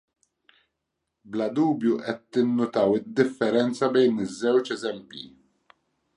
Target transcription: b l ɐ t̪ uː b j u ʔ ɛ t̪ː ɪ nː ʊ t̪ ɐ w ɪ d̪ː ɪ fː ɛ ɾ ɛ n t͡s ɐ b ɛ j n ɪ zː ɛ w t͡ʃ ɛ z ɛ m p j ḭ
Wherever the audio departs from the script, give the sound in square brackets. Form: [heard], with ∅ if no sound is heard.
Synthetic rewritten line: b l ɐ [d̪] uː b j u ʔ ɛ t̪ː ɪ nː ʊ t̪ ɐ w ɪ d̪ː ɪ fː ɛ ɾ ɛ n t͡s ɐ b ɛ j n ɪ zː ɛ w t͡ʃ ɛ z ɛ m p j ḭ